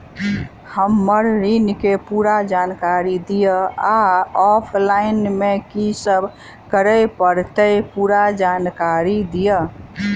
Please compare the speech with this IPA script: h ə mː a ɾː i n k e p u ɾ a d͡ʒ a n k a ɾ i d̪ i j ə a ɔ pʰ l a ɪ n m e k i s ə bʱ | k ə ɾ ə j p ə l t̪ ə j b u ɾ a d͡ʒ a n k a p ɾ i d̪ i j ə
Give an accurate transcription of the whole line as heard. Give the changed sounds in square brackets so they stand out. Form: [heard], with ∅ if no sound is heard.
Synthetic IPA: h ə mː [ə] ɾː i n k e p u ɾ a d͡ʒ a n k a ɾ i d̪ i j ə a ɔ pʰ l a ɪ n m e k i s ə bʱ | k ə ɾ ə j p ə [ɾ] t̪ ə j [p] u ɾ a d͡ʒ a n k a [∅] ɾ i d̪ i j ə